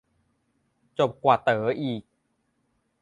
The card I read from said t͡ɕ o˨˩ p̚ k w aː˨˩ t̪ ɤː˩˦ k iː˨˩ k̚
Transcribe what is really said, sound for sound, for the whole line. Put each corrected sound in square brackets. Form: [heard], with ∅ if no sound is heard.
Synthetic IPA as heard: t͡ɕ o˨˩ p̚ k w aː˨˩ t̪ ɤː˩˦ [ʔ] iː˨˩ k̚